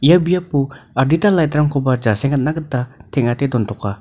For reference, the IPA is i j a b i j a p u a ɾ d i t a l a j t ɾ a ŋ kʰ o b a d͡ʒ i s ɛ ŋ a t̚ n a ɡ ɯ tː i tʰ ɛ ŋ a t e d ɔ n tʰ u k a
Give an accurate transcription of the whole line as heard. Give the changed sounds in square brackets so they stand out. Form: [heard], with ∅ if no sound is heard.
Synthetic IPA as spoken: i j a b i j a p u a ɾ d i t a l a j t ɾ a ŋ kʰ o b a d͡ʒ [a] s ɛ ŋ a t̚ n a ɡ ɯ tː [a] tʰ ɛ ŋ a t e d ɔ n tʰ [ɔ] k a